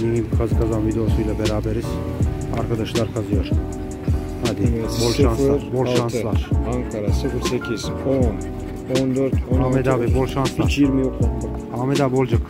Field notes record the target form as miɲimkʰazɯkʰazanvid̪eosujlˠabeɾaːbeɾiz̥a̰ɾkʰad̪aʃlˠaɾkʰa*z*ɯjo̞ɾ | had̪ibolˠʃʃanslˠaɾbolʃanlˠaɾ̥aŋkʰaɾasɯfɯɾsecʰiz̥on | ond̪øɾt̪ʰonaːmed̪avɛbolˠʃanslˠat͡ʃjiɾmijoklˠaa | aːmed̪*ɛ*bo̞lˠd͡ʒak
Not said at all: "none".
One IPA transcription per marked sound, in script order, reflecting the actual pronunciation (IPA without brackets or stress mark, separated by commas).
z, a